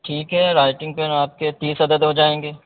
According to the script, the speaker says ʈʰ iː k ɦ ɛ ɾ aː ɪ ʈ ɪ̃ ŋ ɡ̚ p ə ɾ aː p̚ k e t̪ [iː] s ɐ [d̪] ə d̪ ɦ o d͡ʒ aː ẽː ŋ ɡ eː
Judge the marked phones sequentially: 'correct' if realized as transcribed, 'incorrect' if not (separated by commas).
correct, correct